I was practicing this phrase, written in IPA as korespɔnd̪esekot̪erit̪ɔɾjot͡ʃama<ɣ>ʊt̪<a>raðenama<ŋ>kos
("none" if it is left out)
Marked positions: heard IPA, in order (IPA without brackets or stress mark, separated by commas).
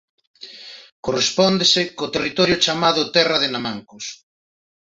ð, ɛ, ŋ